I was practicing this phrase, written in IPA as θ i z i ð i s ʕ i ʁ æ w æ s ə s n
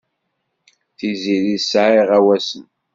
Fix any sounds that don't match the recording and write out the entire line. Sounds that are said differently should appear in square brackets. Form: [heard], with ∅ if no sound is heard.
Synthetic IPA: θ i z i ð i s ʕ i ʁ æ w æ s ə [∅] n